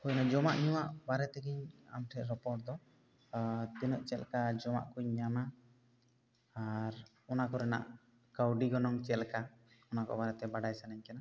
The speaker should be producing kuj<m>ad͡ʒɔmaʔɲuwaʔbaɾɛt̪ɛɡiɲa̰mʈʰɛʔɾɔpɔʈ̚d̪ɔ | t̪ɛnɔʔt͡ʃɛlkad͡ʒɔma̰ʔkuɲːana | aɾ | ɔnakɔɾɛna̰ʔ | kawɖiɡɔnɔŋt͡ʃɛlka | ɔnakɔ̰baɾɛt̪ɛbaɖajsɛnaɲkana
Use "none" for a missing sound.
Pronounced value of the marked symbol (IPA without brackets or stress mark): n